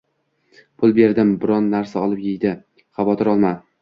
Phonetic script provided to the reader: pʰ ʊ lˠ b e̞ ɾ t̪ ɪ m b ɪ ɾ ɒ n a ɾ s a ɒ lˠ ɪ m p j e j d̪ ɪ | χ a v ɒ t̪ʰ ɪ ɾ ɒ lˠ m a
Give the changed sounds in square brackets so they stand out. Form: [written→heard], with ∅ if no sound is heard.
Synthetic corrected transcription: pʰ ʊ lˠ b e̞ ɾ [t̪→d̪] ɪ m b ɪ ɾ ɒ [n→nː] a ɾ s a ɒ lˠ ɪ [m→∅] p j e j d̪ ɪ | χ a v ɒ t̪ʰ ɪ ɾ ɒ lˠ m a